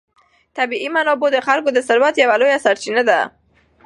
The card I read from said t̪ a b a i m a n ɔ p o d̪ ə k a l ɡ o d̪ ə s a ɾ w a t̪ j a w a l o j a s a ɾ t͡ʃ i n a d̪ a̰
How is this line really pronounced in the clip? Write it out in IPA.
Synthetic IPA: t̪ a b i i m a n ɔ b o d̪ ə x a l k o d̪ ə s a ɾ w a t̪ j a w a l o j a s a ɾ t͡ʃ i n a d̪ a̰